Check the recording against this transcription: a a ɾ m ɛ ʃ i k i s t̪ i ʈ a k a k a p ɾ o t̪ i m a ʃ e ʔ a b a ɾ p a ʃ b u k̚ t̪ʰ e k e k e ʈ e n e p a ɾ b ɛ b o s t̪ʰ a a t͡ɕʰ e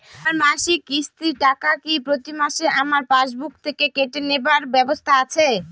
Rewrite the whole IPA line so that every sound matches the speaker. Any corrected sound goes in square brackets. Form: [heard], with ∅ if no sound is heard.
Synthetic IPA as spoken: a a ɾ m [a] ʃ i k i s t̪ i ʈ a k a k [i] p ɾ o t̪ i m a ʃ e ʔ a [m] a ɾ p a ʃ b u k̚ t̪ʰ e k e k e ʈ e n e [b] a ɾ b ɛ b o s t̪ʰ a a t͡ɕʰ e